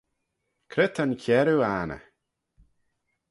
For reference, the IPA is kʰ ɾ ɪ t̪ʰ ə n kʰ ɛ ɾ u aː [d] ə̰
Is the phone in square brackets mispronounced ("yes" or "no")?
yes